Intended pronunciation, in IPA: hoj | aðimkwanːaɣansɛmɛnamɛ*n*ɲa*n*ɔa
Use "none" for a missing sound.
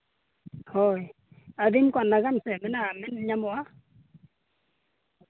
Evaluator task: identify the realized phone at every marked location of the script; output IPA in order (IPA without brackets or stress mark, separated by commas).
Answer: n, m